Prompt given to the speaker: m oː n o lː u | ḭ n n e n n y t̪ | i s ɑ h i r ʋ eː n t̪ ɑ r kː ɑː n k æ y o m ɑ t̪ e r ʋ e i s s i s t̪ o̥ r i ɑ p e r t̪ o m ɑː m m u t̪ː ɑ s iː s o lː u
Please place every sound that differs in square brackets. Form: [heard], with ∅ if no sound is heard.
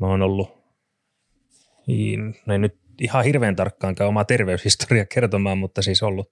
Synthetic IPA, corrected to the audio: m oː n o lː u | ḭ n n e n n y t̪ | i [h] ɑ h i r ʋ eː n t̪ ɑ r kː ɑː [ŋ] k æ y o m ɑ t̪ e r ʋ e [y] s [h] i s t̪ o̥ r i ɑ [k] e r t̪ o m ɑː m m u t̪ː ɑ s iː s o lː u